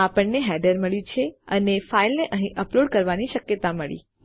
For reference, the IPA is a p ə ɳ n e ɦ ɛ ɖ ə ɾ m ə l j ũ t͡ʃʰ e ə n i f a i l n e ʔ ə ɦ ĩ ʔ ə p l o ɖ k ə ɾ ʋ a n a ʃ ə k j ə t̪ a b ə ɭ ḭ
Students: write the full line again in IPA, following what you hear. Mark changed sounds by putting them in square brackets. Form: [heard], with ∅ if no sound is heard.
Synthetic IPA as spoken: a p ə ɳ n e ɦ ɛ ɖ ə ɾ m ə [ɭ] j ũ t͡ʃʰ e ə n [e] f a i l n e ʔ ə ɦ ĩ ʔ ə p l o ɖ k ə ɾ ʋ a n [i] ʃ ə k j ə t̪ a [m] ə ɭ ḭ